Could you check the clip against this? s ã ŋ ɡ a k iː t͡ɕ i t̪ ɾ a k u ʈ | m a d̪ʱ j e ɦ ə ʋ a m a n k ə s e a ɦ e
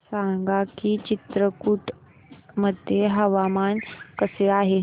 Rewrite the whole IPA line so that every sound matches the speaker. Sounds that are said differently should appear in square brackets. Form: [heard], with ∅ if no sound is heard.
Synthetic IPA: s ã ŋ ɡ a k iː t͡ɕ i t̪ ɾ [ə] k u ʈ | m [ə] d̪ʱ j e ɦ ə ʋ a m a n k ə s e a ɦ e